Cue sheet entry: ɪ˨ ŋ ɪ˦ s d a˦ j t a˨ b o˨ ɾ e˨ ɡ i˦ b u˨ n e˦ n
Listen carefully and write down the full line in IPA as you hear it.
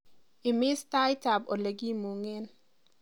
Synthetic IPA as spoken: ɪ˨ m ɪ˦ s t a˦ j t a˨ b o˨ l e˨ ɡ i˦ m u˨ ŋ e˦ n